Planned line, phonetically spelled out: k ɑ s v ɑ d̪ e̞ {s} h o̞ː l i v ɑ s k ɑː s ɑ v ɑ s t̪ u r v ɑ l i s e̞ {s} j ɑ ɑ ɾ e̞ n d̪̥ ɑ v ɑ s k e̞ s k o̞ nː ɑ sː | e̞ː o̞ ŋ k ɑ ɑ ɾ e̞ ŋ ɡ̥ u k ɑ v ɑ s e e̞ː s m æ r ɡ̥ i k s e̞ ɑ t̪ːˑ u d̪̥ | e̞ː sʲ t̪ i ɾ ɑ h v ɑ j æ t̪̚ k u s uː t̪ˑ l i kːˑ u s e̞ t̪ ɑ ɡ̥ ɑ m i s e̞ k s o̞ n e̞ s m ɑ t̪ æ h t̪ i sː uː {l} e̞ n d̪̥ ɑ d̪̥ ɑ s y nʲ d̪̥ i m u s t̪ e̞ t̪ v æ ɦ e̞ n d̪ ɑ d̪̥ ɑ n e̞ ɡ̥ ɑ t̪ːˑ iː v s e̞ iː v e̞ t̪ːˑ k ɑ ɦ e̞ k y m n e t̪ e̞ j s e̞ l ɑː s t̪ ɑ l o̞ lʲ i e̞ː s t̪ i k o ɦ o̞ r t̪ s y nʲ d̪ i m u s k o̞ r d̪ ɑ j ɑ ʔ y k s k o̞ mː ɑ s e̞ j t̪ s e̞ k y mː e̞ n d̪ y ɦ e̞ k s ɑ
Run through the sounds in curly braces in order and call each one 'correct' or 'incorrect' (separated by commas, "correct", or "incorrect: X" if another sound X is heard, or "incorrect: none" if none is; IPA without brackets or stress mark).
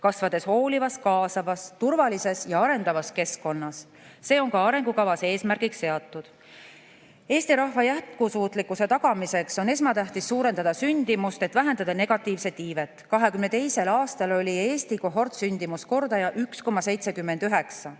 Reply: correct, correct, incorrect: ɾ